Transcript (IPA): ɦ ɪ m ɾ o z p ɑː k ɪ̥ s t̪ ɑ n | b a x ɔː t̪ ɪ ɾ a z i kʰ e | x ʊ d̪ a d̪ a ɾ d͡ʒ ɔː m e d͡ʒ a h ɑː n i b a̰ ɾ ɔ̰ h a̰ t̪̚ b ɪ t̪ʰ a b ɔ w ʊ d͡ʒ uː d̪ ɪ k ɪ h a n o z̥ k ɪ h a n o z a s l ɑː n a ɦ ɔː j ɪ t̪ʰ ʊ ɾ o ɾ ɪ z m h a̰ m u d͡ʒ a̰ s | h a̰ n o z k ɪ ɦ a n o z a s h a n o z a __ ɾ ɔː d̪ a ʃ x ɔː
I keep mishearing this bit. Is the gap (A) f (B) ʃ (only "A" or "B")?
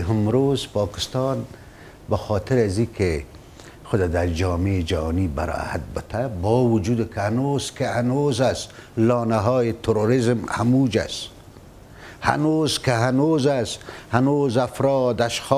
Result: A